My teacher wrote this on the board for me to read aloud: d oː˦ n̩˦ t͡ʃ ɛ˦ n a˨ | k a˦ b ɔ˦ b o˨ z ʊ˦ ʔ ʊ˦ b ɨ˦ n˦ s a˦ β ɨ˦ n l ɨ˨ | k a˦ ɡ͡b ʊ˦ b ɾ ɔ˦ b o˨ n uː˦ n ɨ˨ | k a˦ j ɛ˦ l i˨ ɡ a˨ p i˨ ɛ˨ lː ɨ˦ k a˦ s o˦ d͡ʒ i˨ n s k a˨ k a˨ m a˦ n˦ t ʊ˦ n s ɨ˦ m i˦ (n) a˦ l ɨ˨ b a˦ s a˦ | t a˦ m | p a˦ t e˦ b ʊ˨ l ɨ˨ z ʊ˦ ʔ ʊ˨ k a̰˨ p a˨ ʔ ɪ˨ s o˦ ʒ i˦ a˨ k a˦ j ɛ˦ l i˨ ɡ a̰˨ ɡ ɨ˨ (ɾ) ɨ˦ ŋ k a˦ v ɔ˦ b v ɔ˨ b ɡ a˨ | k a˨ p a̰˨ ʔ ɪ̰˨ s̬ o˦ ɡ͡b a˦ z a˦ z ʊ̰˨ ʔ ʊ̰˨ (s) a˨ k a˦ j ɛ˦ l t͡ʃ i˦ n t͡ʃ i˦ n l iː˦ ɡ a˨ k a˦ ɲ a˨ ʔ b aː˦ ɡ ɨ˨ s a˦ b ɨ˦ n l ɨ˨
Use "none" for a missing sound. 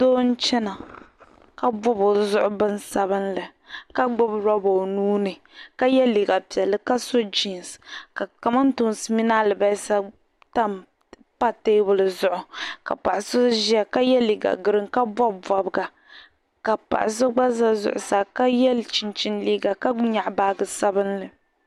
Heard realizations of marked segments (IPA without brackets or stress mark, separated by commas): n, ɾ, s